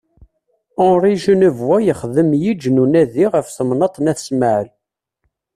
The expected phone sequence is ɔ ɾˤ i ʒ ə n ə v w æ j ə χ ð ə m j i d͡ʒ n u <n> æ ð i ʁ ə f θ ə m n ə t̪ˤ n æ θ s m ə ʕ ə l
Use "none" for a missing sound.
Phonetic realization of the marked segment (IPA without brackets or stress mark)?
n